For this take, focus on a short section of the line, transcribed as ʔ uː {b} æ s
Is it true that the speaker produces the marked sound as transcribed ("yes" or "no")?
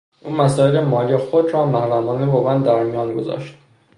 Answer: no